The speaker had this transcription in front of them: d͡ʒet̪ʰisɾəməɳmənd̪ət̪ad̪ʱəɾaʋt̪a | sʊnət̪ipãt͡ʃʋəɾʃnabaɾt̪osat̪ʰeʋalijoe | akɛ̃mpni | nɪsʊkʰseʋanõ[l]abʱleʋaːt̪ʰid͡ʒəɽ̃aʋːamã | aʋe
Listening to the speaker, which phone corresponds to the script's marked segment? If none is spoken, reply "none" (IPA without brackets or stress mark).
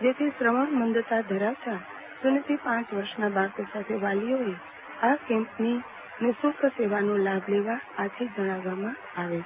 l